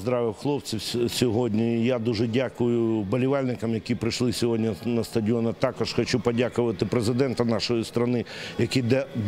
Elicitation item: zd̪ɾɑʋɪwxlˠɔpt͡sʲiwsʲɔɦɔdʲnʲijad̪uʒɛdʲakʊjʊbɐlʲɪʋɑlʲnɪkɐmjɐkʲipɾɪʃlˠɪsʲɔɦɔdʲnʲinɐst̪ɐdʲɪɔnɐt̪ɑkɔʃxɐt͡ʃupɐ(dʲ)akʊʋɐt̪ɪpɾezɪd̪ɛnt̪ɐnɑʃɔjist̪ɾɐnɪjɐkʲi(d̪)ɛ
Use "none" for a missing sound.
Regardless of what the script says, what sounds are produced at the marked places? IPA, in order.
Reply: dʲ, d̪

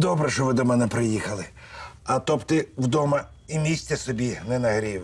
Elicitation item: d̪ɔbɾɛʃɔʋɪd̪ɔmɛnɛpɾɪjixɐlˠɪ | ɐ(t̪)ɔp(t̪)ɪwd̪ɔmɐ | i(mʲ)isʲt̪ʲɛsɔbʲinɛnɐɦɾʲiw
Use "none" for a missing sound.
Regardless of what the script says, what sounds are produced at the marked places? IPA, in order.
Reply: t̪, t̪, mʲ

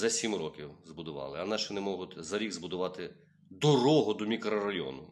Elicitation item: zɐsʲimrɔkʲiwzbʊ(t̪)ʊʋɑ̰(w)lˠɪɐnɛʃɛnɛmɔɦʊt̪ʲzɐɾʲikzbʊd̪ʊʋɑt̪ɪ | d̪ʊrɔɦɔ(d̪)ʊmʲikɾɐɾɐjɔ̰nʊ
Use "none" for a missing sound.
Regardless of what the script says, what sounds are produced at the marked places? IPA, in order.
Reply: d̪, none, d̪

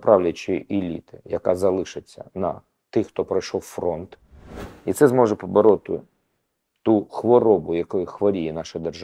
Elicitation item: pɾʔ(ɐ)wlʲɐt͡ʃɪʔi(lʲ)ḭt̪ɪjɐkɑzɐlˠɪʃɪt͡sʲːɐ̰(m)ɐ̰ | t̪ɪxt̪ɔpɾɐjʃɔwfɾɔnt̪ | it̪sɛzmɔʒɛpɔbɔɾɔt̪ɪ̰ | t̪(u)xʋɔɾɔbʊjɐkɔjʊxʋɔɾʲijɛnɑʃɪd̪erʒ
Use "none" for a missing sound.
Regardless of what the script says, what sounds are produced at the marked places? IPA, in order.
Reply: ɑ, lʲ, n, u

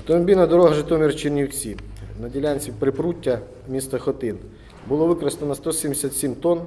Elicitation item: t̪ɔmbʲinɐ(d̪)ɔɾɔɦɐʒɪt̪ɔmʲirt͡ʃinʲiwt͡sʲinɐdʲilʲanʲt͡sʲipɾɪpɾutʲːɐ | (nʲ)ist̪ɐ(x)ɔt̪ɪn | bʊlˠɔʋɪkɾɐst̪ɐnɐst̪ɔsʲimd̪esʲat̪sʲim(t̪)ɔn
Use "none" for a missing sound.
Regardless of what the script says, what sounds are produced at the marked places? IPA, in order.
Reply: d̪, mʲ, x, t̪

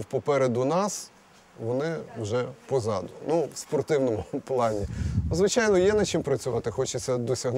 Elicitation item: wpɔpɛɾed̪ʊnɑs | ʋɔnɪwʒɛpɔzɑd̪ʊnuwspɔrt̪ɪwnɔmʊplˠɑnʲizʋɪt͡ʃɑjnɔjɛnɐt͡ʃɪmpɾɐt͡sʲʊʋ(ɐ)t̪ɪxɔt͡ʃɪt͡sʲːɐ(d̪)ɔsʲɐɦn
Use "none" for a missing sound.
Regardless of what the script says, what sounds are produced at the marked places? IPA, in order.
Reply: ɑ, d̪

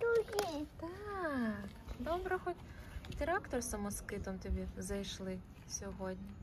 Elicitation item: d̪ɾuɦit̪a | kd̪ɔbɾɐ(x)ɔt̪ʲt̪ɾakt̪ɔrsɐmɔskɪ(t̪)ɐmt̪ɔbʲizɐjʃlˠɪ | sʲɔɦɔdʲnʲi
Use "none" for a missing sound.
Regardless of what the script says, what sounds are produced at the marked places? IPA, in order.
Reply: x, t̪

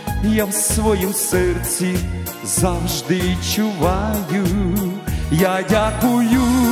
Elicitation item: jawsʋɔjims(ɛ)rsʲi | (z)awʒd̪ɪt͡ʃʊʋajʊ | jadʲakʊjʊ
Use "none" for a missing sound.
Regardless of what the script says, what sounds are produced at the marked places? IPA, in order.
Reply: ɛ, z

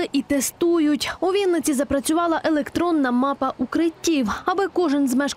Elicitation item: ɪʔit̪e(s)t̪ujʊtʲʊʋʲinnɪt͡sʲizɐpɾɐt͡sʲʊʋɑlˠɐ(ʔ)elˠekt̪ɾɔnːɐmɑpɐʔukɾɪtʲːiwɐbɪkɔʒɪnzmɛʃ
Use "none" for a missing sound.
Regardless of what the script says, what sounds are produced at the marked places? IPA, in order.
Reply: s, ʔ

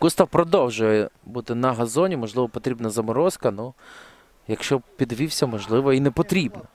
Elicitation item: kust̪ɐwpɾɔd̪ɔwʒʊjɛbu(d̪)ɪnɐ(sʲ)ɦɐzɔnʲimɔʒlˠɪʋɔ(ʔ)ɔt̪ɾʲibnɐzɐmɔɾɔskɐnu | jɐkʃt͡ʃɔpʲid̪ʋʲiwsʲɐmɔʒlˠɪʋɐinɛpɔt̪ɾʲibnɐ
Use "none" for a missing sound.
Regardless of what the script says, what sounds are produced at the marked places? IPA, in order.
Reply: t̪, none, p

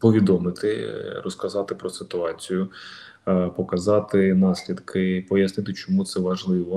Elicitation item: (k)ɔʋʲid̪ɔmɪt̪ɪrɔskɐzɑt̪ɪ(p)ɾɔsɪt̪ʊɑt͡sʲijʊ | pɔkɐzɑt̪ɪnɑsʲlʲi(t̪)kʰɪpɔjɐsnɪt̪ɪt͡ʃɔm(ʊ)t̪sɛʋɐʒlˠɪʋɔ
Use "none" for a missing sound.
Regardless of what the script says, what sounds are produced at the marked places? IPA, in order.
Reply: p, p, d̪, u

